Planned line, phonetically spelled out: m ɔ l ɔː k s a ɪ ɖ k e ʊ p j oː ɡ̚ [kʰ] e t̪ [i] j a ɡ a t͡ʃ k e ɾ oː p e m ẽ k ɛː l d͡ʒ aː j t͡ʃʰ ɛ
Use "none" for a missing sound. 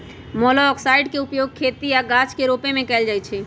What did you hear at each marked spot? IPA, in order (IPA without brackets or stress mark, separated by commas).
kʰ, i